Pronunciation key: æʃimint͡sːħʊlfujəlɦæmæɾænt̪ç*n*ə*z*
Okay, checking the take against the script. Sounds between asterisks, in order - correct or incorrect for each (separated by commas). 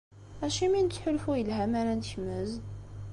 incorrect, correct